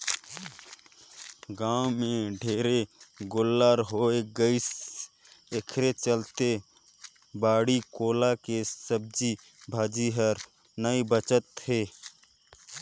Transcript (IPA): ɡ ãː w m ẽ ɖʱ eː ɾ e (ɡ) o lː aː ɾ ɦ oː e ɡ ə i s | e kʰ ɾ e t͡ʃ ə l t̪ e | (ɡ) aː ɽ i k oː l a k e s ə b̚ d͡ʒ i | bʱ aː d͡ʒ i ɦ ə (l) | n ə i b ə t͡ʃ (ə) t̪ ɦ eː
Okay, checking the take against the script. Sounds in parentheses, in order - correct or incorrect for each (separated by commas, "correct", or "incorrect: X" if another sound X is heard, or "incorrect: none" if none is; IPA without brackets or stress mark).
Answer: correct, incorrect: b, incorrect: ɾ, correct